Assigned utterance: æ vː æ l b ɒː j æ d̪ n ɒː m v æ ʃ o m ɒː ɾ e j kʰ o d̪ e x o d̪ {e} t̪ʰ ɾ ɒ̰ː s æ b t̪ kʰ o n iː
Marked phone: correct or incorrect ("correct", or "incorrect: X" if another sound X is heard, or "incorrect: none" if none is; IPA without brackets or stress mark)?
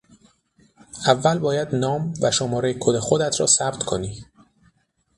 incorrect: æ